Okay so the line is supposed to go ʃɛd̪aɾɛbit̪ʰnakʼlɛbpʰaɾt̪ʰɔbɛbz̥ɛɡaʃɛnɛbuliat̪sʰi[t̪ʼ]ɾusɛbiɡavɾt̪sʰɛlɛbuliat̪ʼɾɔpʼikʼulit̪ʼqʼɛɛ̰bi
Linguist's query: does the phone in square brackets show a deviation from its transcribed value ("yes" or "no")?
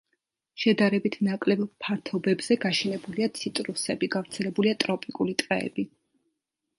no